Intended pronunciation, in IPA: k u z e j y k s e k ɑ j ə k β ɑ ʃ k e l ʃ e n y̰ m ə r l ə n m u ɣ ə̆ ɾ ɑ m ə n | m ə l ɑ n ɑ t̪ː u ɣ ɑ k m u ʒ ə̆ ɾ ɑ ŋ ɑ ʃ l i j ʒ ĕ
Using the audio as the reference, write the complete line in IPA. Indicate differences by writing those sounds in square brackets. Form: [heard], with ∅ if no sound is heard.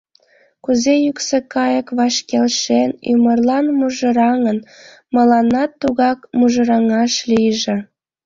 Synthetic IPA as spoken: k u z e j y k s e k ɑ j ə k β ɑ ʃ k e l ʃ e n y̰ m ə r l [ɑ] n m u [ʒ] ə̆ ɾ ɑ [ŋ] ə n | m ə l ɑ n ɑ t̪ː u ɣ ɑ k m u ʒ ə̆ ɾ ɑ ŋ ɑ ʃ l i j ʒ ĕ